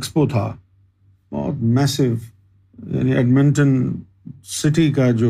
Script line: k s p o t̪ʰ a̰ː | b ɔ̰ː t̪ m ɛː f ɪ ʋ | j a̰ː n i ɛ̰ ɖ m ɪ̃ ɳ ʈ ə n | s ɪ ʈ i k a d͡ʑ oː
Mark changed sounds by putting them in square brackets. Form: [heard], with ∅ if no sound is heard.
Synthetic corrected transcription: k s p o t̪ʰ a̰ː | b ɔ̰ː t̪ m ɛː [s] ɪ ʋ | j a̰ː n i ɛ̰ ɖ m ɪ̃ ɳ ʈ ə n | s ɪ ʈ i k a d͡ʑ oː